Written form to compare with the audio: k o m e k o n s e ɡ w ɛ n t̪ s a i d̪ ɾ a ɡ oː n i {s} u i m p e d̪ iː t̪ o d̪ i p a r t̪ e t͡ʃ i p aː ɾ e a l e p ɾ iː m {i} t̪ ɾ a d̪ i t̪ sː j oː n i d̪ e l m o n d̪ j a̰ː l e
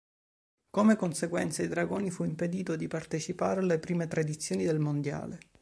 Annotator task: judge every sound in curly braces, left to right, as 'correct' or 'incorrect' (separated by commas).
incorrect, incorrect